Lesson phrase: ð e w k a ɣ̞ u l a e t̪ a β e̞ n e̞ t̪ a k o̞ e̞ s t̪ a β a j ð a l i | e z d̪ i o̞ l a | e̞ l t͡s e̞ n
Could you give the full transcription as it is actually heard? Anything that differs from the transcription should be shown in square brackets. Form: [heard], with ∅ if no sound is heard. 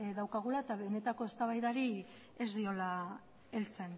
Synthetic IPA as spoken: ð [a] w k a ɣ̞ u l a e t̪ a β e̞ n e̞ t̪ a k o̞ e̞ s t̪ a β a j ð a [ɾ] i | e z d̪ i o̞ l a | e̞ l t͡s e̞ n